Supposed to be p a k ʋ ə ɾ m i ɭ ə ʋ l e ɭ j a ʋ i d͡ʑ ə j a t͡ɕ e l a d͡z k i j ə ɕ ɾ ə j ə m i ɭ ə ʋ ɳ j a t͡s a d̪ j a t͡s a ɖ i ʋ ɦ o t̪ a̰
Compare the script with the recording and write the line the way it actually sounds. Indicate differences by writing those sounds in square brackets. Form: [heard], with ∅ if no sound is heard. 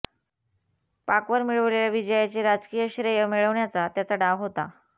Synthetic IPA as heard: p a k ʋ ə ɾ m i ɭ ə ʋ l e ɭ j a ʋ i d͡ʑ ə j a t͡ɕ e [ɾ] a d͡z k i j ə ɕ ɾ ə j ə m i ɭ ə ʋ ɳ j a t͡s a [t̪] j a t͡s a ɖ [a] ʋ ɦ o t̪ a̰